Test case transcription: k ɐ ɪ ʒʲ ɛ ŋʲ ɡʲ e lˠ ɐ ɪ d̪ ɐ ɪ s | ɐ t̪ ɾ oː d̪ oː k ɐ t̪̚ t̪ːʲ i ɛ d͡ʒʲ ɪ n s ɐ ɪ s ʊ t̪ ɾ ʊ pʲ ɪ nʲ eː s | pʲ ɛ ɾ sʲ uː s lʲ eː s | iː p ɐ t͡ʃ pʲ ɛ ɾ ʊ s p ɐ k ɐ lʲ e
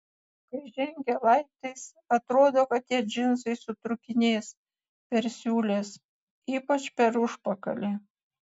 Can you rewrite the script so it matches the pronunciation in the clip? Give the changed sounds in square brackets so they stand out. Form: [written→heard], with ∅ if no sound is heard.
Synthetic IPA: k ɐ ɪ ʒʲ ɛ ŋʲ ɡʲ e lˠ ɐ ɪ [d̪→t̪] ɐ ɪ s | ɐ t̪ ɾ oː d̪ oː k ɐ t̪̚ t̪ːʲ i ɛ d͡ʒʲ ɪ n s ɐ ɪ s ʊ t̪ ɾ ʊ [pʲ→kʲ] ɪ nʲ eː s | pʲ ɛ ɾ sʲ uː [s→∅] lʲ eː s | iː p ɐ t͡ʃ pʲ ɛ ɾ ʊ [s→ʃ] p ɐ k ɐ lʲ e